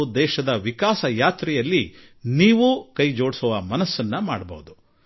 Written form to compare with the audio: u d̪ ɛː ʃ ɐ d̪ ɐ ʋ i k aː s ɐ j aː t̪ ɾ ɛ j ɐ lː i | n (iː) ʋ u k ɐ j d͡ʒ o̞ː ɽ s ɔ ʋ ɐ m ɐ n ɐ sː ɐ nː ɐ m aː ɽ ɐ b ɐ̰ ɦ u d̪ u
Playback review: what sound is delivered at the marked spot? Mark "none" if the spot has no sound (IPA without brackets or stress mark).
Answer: iː